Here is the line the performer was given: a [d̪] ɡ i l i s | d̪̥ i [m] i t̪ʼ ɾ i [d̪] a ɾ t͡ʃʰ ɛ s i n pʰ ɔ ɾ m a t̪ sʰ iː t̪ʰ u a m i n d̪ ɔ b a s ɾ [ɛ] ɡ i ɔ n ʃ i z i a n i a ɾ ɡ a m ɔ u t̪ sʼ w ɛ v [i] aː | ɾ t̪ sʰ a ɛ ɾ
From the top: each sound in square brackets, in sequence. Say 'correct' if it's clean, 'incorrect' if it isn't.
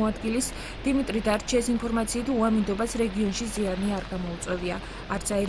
correct, correct, correct, correct, correct

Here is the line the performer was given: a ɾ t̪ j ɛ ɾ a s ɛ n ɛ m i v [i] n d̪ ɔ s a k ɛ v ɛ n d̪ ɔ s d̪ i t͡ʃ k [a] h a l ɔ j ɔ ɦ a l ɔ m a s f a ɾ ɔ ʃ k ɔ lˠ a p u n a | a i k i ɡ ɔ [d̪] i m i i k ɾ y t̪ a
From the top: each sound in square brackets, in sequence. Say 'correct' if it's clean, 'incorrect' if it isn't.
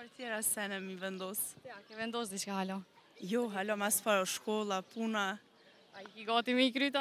incorrect: ɛ, correct, incorrect: t̪

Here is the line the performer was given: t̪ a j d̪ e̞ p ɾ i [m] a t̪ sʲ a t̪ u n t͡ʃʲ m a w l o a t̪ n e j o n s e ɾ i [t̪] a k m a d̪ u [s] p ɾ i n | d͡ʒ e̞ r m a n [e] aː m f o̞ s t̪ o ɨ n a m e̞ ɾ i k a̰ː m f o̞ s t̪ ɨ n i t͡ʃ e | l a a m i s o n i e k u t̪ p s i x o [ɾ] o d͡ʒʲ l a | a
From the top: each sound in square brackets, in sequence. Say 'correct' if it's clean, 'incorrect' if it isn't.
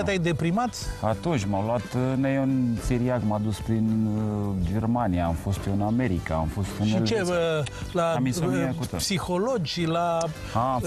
correct, incorrect: none, correct, incorrect: i, incorrect: l

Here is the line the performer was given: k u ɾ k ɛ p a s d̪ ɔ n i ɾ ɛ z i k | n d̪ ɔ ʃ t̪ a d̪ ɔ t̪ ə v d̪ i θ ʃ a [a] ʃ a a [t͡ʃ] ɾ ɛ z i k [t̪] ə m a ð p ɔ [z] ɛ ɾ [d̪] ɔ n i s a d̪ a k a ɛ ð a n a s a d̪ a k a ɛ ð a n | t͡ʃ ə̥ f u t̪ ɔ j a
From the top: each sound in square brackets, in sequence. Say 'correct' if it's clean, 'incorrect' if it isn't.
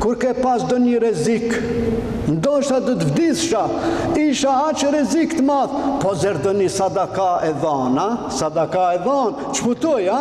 incorrect: i, correct, correct, correct, correct

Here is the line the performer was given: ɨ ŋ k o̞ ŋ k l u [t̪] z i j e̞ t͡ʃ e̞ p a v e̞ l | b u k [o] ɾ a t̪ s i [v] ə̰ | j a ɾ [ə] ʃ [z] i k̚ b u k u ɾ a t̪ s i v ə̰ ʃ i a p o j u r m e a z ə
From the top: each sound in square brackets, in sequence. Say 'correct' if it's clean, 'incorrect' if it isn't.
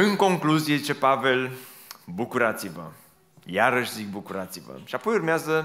incorrect: none, incorrect: u, correct, correct, correct

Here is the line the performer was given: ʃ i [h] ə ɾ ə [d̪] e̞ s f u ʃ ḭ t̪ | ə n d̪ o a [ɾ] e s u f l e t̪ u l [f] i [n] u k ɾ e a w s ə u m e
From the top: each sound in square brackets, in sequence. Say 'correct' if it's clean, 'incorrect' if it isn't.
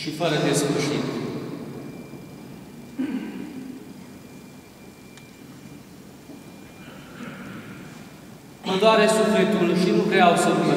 incorrect: f, correct, correct, incorrect: ʃ, correct

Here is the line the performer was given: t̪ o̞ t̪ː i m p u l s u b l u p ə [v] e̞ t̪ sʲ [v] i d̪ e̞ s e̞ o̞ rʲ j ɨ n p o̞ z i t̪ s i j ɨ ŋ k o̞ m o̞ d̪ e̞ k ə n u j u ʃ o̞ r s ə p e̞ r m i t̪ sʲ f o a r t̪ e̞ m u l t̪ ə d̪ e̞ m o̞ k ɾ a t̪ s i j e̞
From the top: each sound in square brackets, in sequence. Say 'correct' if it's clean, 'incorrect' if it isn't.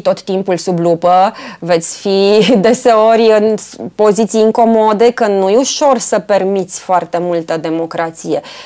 correct, incorrect: f

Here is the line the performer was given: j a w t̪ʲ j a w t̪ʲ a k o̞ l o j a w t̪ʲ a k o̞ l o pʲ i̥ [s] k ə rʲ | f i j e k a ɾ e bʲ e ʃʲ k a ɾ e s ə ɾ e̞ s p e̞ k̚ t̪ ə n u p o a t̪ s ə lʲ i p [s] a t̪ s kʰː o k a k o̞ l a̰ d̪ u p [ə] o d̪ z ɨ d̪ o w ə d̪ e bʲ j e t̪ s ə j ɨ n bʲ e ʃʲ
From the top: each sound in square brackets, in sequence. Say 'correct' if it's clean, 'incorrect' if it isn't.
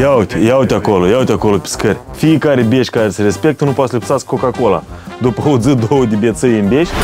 correct, correct, correct

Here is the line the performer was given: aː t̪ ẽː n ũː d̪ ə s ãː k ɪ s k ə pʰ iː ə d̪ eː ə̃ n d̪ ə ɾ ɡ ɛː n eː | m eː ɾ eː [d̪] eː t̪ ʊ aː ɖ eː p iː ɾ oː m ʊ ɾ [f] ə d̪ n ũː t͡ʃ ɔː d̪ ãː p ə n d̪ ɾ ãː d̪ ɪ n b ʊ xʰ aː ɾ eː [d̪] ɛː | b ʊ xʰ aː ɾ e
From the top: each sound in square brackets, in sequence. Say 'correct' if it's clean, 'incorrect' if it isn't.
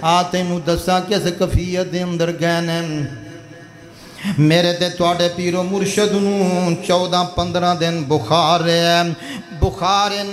incorrect: t̪, incorrect: ʃ, incorrect: none

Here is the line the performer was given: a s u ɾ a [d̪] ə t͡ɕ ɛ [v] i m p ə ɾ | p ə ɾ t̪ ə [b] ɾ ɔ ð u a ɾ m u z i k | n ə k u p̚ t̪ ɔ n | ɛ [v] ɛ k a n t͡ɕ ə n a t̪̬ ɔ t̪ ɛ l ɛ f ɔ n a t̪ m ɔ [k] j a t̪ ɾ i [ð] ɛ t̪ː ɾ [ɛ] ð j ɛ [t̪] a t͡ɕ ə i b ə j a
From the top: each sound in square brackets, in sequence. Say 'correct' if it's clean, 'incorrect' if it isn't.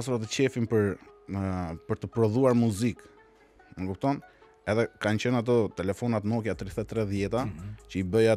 incorrect: t̪, incorrect: f, incorrect: p, incorrect: ð, correct, incorrect: θ, correct, correct

